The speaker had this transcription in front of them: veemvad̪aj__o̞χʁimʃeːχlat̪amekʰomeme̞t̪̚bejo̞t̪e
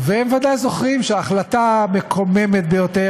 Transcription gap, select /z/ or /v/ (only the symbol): z